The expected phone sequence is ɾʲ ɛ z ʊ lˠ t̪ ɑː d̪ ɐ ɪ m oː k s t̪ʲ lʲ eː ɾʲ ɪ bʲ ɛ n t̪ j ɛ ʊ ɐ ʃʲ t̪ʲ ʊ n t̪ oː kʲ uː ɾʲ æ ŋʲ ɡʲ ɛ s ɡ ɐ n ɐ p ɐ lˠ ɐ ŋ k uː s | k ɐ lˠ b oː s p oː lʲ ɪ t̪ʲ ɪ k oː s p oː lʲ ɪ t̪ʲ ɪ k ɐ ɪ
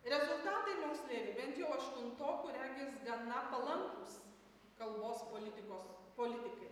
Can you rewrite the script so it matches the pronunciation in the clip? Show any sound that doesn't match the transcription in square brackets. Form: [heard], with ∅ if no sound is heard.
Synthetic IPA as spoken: ɾʲ ɛ z ʊ lˠ t̪ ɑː [t̪] ɐ ɪ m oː k s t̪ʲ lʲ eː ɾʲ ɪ bʲ ɛ n t̪ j ɛ ʊ ɐ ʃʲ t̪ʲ ʊ n t̪ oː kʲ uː ɾʲ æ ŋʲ ɡʲ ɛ s ɡ ɐ n ɐ p ɐ lˠ ɐ ŋ k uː s | k ɐ lˠ b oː s p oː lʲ ɪ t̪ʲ ɪ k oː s p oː lʲ ɪ t̪ʲ ɪ k ɐ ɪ